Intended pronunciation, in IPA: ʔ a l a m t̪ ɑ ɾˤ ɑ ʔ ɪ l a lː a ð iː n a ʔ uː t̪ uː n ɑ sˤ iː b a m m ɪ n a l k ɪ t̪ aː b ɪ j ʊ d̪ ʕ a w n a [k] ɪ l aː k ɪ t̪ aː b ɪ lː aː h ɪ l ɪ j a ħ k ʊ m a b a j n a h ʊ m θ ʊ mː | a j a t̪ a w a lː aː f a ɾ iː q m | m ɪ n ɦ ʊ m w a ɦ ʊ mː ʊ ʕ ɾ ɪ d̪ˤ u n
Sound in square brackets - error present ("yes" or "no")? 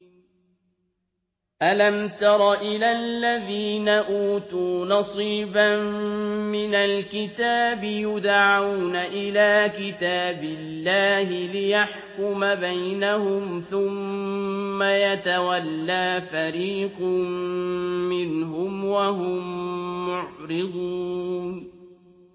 yes